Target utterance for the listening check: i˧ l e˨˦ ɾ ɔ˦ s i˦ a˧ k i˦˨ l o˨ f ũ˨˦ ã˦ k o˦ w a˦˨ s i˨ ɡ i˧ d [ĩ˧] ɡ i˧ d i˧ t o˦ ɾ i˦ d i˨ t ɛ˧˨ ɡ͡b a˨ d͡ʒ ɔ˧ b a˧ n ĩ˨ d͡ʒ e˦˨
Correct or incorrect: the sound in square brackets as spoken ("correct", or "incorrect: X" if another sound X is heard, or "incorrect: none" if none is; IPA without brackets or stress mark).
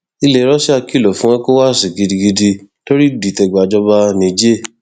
incorrect: i˧